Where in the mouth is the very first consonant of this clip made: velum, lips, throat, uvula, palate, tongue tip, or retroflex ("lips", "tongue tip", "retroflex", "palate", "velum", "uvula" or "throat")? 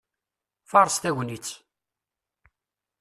lips